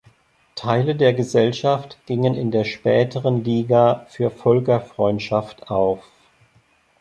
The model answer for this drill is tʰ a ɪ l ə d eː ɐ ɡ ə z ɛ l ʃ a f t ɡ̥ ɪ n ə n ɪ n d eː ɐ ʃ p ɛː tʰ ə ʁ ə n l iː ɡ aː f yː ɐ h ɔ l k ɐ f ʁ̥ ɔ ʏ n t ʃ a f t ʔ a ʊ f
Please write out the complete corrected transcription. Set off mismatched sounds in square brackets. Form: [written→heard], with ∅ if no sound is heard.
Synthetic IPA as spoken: tʰ a ɪ l ə d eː ɐ ɡ ə z ɛ l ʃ a f t ɡ̥ ɪ [n→ŋ] ə n ɪ n d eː ɐ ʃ p ɛː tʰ ə ʁ ə n l iː ɡ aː f yː ɐ [h→f] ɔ l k ɐ f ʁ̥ ɔ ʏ n t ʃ a f t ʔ a ʊ f